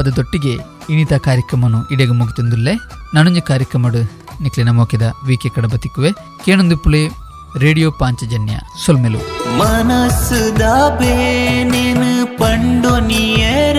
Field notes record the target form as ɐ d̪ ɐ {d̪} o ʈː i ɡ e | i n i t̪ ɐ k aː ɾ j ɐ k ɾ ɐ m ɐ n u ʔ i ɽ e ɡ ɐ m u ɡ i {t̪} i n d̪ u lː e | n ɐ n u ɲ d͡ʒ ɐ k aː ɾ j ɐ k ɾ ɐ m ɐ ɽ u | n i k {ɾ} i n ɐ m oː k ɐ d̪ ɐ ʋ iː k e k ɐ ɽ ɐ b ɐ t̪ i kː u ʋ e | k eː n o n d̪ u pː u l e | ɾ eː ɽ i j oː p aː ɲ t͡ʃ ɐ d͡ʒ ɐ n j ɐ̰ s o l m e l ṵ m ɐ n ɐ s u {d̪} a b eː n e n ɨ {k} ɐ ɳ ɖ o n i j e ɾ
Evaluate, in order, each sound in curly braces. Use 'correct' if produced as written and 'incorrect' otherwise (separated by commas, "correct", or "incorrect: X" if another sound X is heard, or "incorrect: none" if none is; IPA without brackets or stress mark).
correct, correct, incorrect: l, correct, incorrect: p